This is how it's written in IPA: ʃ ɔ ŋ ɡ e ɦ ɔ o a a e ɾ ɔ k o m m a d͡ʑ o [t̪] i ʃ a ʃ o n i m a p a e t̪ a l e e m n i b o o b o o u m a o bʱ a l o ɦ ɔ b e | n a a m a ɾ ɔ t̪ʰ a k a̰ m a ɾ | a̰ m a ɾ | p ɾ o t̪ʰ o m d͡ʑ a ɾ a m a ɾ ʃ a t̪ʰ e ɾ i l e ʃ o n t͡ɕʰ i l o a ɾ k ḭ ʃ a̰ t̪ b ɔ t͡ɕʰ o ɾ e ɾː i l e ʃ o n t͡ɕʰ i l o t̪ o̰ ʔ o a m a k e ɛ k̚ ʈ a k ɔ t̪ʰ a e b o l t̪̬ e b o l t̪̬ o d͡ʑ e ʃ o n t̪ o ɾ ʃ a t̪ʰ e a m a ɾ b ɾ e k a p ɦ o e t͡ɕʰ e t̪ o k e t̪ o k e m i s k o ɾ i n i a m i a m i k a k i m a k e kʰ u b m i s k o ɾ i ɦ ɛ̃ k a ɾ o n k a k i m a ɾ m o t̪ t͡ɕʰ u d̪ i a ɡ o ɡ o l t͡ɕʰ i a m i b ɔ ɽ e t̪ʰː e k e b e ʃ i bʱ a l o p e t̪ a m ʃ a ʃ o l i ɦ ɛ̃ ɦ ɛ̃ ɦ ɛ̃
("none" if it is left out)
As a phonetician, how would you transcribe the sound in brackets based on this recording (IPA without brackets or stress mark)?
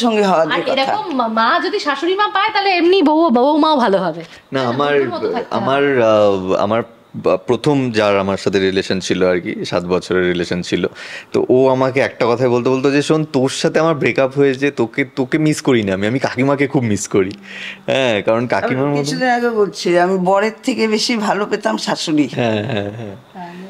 d̪